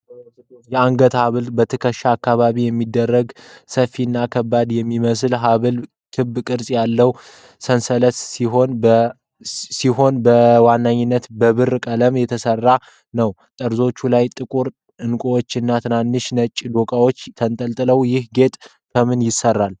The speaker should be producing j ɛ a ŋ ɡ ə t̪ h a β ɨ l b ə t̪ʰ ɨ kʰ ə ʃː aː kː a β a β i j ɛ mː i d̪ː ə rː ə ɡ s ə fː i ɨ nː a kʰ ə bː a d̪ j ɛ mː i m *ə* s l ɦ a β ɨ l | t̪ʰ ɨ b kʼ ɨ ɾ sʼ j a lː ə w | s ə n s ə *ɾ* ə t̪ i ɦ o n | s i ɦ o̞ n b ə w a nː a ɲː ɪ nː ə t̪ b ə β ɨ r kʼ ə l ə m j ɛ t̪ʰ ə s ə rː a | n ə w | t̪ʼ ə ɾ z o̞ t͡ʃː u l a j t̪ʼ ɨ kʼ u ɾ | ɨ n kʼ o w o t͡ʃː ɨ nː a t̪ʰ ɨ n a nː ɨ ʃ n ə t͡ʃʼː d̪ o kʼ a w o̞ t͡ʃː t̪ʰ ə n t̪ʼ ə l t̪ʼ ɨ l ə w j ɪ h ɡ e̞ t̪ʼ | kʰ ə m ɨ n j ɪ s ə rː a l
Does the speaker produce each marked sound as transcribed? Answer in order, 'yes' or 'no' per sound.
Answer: yes, no

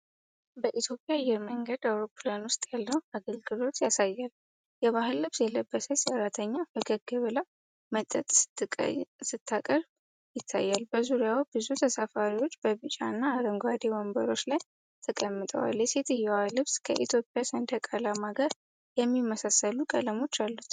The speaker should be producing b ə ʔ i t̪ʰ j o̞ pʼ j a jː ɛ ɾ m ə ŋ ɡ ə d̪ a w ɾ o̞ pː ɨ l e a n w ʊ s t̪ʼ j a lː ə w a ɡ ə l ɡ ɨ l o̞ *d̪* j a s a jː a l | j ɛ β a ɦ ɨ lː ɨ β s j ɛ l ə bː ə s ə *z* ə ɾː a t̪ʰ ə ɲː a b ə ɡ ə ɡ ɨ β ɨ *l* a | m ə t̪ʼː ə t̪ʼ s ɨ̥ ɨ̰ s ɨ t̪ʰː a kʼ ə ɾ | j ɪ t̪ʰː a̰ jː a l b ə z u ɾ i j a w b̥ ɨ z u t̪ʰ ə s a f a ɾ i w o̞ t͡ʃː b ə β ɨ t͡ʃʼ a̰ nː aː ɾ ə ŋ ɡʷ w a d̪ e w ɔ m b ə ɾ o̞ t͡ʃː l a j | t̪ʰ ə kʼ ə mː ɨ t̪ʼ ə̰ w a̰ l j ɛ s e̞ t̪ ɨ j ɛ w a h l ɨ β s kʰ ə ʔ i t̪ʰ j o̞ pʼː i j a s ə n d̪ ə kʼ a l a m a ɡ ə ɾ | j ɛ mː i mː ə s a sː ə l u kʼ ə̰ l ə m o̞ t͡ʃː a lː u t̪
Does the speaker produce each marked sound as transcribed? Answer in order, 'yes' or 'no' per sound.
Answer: no, no, yes

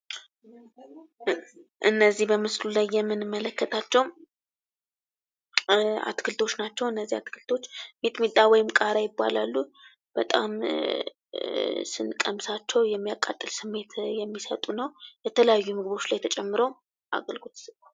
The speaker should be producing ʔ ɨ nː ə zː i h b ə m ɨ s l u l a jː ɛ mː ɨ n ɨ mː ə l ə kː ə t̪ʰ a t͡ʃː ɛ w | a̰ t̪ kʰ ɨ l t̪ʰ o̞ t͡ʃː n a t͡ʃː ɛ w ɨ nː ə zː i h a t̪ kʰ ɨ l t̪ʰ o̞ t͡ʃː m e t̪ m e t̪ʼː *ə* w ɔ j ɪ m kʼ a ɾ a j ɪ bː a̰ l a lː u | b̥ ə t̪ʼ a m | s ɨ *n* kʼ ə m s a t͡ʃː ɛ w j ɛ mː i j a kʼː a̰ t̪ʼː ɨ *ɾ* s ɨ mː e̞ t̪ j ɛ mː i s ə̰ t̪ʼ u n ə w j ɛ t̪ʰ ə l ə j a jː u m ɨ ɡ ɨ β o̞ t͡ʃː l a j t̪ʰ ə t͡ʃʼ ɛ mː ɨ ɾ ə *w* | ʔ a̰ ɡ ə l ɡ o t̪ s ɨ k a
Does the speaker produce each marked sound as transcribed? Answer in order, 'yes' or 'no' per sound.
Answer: no, yes, no, yes

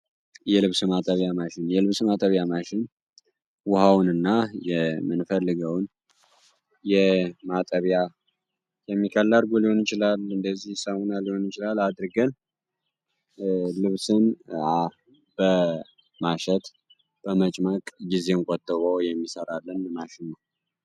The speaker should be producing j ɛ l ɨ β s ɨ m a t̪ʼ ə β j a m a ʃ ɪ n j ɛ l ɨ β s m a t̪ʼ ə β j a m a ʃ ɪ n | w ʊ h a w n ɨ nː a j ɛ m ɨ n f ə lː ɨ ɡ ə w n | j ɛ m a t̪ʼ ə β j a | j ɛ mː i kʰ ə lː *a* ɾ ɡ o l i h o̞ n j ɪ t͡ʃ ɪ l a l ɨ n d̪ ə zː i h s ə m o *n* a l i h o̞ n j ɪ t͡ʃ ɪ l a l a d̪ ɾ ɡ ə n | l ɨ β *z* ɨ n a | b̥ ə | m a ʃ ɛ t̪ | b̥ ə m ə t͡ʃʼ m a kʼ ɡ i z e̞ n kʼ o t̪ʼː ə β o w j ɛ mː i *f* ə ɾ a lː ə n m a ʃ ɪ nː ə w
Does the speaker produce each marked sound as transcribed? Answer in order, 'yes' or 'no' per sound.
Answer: yes, yes, no, no

